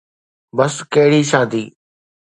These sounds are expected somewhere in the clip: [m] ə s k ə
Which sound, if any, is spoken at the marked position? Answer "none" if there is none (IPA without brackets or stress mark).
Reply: b